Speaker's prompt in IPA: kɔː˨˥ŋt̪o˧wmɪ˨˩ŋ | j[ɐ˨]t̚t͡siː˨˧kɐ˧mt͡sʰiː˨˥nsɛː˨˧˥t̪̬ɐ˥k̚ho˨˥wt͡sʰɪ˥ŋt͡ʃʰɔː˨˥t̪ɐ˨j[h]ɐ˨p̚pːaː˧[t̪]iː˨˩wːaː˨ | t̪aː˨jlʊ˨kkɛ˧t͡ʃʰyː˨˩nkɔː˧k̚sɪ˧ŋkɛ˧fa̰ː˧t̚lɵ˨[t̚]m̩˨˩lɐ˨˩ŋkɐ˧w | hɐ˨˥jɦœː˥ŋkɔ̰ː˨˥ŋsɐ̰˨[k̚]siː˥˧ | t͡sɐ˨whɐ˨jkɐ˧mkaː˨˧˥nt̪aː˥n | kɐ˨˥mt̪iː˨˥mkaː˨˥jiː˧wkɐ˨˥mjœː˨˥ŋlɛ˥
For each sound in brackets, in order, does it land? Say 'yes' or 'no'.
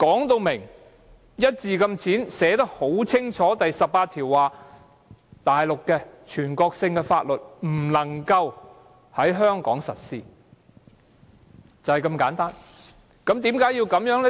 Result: no, no, no, yes, no

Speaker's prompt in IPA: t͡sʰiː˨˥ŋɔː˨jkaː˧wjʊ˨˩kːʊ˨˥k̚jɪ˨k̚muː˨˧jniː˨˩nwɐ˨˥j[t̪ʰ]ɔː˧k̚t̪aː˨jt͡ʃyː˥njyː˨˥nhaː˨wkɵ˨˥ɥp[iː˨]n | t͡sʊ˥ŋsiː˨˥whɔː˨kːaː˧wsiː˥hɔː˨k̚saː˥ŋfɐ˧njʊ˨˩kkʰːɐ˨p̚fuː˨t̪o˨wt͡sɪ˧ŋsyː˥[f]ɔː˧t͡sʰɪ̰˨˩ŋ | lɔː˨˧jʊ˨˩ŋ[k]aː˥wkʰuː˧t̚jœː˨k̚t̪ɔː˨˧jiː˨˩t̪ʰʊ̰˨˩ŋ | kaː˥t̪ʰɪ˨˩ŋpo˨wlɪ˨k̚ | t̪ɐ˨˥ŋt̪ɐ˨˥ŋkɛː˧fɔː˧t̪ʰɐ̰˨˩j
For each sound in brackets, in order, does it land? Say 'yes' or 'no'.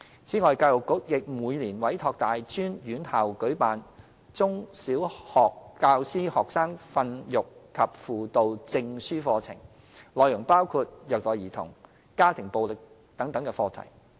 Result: yes, no, yes, no

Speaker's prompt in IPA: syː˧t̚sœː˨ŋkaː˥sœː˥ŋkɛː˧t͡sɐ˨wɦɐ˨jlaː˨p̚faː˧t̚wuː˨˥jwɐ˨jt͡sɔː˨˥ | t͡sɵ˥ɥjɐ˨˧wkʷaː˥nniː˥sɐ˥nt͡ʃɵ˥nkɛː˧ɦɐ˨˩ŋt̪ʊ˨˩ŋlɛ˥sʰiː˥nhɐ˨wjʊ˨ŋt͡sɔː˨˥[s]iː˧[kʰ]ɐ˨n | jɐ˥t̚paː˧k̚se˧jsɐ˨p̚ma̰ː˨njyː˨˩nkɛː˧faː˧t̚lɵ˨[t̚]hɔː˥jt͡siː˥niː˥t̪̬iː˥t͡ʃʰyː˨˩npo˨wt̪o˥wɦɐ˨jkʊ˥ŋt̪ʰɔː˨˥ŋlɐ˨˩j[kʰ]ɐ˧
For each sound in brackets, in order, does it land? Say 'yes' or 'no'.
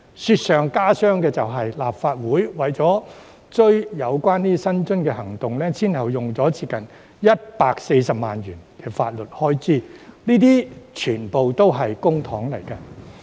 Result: no, no, yes, no

